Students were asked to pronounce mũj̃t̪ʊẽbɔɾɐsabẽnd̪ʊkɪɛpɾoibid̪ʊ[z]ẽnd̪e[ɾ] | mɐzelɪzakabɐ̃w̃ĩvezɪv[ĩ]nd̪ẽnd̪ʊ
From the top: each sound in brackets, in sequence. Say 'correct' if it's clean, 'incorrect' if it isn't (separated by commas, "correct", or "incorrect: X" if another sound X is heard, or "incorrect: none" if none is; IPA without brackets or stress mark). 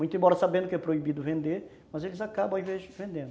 incorrect: v, correct, incorrect: ẽ